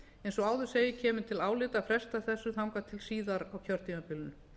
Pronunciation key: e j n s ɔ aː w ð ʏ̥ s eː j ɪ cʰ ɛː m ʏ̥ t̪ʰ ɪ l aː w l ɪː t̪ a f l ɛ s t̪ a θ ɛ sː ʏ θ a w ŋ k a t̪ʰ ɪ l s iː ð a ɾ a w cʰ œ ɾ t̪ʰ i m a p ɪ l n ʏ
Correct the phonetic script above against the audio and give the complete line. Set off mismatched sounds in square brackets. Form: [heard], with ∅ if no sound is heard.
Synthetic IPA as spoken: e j n s ɔ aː w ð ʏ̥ s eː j ɪ cʰ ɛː m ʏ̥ t̪ʰ ɪ l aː w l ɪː t̪ a f [ɾ] ɛ s t̪ a θ ɛ sː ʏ θ a w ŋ k a t̪ʰ ɪ l s iː ð a ɾ a w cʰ œ ɾ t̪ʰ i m a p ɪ l n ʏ